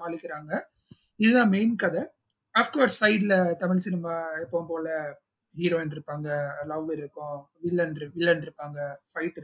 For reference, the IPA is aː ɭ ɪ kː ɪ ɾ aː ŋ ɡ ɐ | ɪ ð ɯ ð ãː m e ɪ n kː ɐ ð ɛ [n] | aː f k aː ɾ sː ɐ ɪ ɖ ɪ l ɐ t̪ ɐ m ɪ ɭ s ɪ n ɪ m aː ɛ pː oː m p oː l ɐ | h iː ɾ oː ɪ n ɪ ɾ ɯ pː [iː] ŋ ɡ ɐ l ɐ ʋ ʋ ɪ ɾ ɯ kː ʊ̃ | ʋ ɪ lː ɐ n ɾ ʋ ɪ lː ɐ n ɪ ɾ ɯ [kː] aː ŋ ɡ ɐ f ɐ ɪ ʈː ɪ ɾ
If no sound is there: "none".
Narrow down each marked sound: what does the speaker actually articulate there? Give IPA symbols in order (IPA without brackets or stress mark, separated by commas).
none, aː, pː